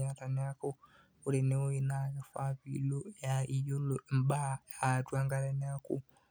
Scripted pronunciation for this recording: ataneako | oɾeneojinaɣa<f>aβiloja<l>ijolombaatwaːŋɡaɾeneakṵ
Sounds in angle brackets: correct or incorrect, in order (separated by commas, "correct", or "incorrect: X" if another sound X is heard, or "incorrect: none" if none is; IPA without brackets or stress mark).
correct, incorrect: none